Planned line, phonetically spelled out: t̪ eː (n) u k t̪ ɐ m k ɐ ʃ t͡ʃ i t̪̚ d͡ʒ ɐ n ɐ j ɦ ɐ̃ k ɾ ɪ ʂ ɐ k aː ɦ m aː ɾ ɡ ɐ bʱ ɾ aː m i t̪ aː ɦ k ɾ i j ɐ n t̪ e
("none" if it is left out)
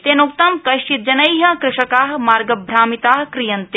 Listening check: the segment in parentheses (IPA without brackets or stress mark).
n